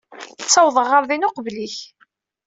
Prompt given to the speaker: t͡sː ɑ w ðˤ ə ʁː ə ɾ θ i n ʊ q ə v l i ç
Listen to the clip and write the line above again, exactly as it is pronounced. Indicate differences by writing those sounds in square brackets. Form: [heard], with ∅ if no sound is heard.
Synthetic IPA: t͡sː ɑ w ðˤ ə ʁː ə ɾ [ð] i n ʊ q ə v l i ç